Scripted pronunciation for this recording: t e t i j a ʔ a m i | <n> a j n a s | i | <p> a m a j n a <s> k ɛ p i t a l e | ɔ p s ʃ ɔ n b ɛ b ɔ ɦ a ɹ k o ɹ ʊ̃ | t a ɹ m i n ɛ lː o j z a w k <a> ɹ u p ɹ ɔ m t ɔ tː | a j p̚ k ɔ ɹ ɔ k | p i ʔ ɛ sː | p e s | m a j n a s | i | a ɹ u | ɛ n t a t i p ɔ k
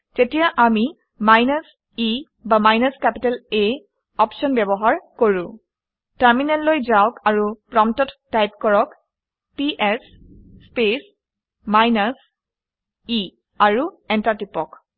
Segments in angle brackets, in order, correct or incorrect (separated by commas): incorrect, incorrect, correct, correct